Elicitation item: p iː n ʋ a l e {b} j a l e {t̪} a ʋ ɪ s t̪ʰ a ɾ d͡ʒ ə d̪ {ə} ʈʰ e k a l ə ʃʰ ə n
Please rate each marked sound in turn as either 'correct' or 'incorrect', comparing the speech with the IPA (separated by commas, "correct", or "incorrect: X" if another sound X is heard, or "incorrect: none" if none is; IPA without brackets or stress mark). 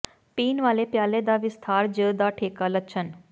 incorrect: p, incorrect: d̪, incorrect: a